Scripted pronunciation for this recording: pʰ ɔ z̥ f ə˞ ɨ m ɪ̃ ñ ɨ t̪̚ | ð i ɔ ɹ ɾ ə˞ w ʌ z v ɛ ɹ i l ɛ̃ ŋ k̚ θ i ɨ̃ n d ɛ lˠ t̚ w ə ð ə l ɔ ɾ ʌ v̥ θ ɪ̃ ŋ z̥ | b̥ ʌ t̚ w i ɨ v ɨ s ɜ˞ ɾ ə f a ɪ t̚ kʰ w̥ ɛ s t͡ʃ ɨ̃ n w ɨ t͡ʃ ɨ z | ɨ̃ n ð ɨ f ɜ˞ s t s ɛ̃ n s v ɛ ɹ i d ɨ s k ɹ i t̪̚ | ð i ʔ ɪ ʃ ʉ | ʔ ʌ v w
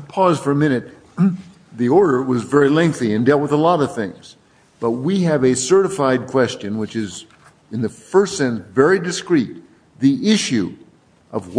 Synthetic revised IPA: pʰ ɔ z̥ f ə˞ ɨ m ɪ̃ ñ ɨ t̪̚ | ð i ɔ ɹ ɾ ə˞ w ʌ z v ɛ ɹ i l ɛ̃ ŋ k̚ θ i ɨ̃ n d ɛ lˠ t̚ w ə ð ə l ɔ ɾ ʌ v̥ θ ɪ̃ ŋ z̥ | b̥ ʌ t̚ w i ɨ v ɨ s ɜ˞ ɾ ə f a ɪ d̚ kʰ w̥ ɛ s t͡ʃ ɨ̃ n w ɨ t͡ʃ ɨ z | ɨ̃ n ð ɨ f ɜ˞ s t s ɛ̃ n s v ɛ ɹ i d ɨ s k ɹ i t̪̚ | ð i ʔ ɪ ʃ ʉ | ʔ ʌ v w